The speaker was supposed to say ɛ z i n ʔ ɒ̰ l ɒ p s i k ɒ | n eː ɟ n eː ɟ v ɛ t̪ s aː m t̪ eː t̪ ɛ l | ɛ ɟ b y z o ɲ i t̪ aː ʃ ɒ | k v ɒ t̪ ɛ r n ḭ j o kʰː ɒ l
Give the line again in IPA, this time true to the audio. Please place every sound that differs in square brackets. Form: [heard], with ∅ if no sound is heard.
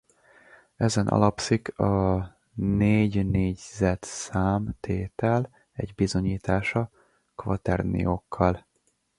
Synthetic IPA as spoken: ɛ z [ɛ] n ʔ ɒ̰ l ɒ p s i k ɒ | n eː ɟ n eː ɟ [z] ɛ t̪ s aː m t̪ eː t̪ ɛ l | ɛ ɟ b [i] z o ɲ [iː] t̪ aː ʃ ɒ | k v ɒ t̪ ɛ r n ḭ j o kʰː ɒ l